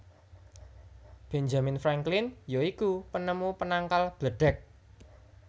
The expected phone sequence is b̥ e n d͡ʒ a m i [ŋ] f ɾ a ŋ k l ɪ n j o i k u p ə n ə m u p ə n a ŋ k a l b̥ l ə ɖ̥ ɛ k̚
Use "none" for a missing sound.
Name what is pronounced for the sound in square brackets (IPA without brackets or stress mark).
n